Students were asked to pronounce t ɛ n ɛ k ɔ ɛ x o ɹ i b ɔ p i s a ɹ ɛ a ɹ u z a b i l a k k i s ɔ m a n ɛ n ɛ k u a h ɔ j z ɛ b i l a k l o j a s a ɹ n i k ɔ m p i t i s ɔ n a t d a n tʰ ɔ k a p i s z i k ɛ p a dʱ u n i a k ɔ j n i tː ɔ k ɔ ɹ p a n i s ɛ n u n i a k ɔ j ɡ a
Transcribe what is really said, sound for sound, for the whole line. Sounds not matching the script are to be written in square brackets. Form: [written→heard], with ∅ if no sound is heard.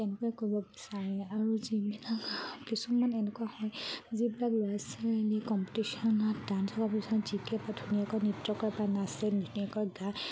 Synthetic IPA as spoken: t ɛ n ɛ k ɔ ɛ [x→k] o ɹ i b ɔ [p→b] i s a ɹ ɛ a ɹ u z [a→i] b i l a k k i s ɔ m a n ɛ n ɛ k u a h ɔ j z [ɛ→i] b i l a k l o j a s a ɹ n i k ɔ m p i t i s ɔ n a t d a n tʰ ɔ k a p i s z i k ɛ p a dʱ u n i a k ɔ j n i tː ɔ k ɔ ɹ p a n [i→a] s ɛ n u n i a k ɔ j ɡ a